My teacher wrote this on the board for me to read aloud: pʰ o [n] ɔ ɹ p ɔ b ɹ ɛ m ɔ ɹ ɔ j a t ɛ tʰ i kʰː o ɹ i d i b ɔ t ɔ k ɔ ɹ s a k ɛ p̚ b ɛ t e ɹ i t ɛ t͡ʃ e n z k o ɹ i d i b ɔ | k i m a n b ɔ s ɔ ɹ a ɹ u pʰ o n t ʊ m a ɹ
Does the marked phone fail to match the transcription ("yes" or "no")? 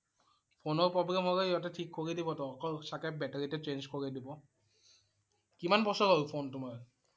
no